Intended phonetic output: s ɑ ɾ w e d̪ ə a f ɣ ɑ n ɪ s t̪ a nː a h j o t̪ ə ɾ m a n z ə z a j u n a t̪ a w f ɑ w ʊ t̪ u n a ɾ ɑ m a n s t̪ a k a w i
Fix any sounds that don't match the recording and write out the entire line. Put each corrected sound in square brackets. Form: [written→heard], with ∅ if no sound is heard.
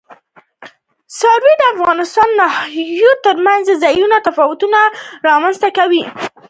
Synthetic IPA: s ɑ ɾ w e d̪ ə a f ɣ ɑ n ɪ s t̪ [a→ɑ] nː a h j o t̪ ə ɾ m a n z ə z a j u n a t̪ a [w→∅] f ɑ w ʊ t̪ u n a ɾ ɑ m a n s t̪ a k a w i